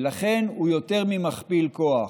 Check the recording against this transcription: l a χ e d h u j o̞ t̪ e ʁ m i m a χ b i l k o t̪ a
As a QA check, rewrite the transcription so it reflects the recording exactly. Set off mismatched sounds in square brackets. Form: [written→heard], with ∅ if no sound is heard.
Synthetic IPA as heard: l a χ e [d→n] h u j o̞ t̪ e ʁ m i m a χ [b→p] i l k o [t̪→∅] a